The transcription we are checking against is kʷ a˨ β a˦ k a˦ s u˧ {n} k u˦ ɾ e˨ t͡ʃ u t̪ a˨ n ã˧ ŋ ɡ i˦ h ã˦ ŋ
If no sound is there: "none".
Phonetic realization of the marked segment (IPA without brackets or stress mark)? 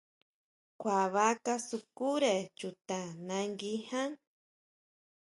none